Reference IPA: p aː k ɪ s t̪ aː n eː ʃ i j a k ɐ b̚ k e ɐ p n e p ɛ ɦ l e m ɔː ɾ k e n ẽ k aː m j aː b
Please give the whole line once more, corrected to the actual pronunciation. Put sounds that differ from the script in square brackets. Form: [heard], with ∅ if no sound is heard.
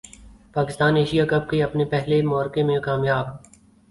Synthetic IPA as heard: p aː k ɪ s t̪ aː n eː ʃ i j a k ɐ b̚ k e ɐ p n e p ɛ ɦ l e m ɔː ɾ k e [m] ẽ k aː m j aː b